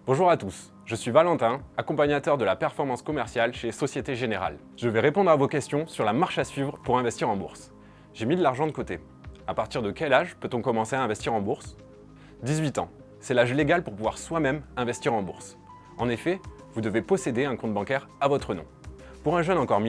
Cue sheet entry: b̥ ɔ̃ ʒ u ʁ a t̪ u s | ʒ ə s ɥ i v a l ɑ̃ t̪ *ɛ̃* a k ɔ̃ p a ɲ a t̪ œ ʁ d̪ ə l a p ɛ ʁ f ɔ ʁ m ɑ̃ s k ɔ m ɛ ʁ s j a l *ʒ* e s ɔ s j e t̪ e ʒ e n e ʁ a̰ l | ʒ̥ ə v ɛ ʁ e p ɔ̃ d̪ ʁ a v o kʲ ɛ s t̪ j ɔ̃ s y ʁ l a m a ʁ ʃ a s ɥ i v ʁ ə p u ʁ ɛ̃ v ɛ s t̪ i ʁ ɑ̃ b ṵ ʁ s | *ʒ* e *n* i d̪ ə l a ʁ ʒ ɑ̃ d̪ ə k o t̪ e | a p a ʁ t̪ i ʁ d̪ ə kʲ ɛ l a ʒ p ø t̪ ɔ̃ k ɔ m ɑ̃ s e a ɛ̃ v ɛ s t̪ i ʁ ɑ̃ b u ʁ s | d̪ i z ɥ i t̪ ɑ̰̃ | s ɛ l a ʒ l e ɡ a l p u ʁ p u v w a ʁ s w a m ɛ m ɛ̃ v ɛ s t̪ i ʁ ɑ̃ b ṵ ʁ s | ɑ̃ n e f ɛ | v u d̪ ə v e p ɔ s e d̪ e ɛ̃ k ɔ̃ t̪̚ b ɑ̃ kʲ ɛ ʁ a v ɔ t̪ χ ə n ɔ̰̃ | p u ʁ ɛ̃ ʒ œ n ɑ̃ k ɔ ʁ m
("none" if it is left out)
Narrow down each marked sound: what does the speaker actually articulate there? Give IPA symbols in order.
ɛ̃, ʃ, ʒ, m

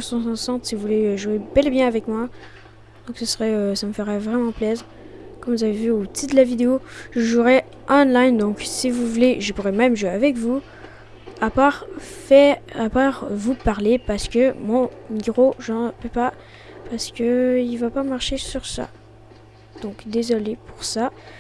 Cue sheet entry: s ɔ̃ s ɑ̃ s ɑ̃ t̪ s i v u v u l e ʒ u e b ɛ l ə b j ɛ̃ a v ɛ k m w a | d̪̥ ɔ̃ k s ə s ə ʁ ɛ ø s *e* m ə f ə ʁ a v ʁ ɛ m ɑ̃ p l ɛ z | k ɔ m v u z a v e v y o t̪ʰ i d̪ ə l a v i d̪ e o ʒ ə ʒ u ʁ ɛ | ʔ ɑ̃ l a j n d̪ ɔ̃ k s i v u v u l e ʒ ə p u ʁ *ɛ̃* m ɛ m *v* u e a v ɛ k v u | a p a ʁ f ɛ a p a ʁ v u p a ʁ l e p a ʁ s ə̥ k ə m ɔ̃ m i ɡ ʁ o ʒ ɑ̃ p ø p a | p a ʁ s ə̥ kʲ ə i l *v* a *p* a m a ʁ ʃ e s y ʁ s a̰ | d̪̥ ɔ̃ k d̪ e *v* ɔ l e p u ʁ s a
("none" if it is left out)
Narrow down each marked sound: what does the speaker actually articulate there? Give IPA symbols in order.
a, ɛ, ʒ, v, p, z

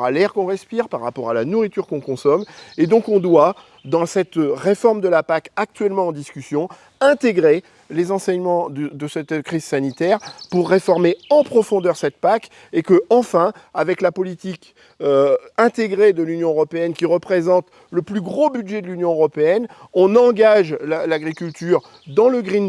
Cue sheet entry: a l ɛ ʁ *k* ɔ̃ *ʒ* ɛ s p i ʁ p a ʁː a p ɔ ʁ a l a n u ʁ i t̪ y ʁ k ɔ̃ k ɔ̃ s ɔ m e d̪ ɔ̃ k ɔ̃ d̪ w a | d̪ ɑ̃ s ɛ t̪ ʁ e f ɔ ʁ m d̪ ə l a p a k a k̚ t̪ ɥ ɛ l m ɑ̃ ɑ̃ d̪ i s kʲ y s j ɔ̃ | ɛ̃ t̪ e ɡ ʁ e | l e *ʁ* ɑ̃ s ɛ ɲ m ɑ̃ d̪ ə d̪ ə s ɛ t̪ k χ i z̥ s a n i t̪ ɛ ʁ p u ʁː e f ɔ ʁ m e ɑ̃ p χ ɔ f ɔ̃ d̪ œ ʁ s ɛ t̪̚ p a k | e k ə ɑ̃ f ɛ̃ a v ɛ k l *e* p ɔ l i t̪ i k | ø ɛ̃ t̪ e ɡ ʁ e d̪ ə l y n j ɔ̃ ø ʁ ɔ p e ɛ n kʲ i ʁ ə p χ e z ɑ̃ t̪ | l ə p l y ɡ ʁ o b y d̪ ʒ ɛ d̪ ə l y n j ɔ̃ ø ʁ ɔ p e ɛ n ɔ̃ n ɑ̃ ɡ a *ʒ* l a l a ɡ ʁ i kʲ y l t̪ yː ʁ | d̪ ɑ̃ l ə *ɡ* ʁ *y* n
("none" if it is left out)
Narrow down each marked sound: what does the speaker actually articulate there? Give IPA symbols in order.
k, ʁ, z, a, ʒ, ɡ, i

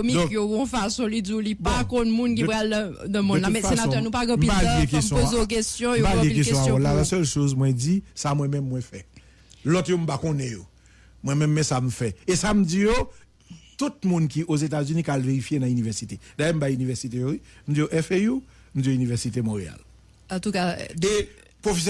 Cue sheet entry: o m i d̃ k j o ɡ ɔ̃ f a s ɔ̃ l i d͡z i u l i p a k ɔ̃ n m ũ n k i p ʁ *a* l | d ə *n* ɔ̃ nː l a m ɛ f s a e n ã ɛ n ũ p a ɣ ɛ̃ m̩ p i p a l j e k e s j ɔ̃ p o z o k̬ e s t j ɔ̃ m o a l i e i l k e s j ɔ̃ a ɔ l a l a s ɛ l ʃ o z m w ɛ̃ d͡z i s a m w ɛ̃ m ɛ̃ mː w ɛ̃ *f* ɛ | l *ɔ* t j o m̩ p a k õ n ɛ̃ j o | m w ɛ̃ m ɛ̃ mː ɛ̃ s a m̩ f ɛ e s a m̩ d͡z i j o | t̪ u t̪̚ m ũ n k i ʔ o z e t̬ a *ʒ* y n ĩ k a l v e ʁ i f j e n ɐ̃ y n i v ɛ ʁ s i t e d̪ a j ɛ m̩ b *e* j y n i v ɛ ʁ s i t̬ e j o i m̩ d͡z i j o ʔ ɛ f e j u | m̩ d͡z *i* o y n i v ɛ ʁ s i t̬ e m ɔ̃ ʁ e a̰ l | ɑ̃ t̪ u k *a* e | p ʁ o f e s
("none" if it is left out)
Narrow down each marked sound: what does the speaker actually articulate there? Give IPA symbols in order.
a, m, f, ɔ, z, a, i, a

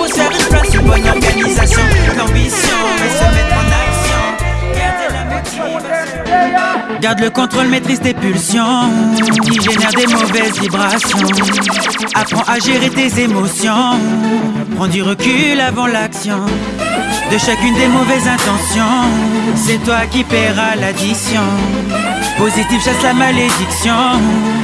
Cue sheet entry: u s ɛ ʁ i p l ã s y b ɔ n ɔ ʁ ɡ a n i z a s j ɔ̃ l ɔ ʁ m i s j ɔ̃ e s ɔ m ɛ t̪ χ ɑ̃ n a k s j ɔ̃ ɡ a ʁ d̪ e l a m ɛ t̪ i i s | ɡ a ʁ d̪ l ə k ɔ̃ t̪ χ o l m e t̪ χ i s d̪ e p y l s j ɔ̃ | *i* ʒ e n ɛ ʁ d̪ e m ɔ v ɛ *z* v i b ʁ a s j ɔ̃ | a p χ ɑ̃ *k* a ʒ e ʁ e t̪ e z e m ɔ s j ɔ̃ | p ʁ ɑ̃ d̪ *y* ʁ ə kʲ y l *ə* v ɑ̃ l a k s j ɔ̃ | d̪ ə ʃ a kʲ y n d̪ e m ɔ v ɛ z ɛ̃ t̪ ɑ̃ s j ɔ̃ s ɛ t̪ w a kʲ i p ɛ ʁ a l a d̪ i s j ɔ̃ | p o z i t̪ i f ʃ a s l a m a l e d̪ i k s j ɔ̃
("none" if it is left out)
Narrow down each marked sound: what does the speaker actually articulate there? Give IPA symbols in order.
i, z, ʔ, y, a

